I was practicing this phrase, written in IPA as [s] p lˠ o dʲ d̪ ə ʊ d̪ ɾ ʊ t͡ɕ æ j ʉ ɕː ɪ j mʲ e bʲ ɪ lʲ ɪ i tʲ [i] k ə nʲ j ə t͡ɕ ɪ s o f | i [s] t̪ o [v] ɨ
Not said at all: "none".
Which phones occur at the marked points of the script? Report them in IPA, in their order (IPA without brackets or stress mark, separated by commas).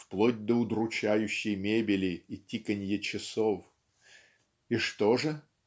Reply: f, i, ʂ, ʐ